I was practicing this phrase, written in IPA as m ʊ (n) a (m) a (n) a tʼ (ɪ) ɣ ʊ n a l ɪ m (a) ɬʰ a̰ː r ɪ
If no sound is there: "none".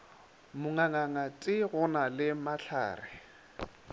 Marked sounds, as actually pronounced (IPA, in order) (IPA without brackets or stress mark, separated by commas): ŋ, ŋ, ŋ, ɪ, a